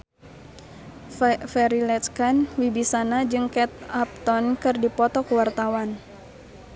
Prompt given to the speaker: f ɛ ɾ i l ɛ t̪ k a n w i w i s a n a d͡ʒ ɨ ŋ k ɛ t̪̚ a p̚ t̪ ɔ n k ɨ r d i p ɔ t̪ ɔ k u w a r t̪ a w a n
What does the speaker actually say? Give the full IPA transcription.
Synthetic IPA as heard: f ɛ ɾ i l ɛ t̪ k a n w i b i s a n a d͡ʒ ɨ ŋ k ɛ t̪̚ a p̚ t̪ ɔ n k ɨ r d i p ɔ t̪ ɔ k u w a r t̪ a w a n